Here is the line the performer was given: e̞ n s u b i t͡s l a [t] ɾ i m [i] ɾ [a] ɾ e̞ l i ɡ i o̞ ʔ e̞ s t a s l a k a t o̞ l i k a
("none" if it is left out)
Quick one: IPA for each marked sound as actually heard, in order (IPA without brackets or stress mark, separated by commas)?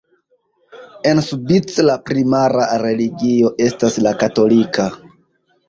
p, a, a